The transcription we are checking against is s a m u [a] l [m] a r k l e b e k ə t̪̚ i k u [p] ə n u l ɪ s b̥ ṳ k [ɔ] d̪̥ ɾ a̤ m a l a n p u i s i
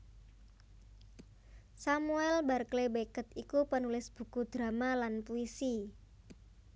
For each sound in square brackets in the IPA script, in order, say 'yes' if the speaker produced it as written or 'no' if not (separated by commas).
no, no, yes, no